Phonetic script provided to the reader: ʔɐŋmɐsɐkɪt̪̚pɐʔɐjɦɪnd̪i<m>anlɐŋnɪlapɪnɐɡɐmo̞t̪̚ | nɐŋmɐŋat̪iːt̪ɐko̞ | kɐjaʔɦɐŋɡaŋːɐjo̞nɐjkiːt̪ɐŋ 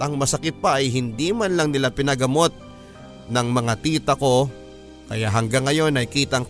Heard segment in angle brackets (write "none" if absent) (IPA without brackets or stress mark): m